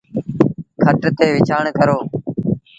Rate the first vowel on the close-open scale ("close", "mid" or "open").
mid